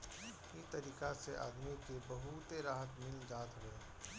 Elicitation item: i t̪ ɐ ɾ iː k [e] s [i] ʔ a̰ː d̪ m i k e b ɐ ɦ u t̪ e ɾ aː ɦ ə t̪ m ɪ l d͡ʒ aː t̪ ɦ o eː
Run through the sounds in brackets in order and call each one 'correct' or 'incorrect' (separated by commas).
incorrect, incorrect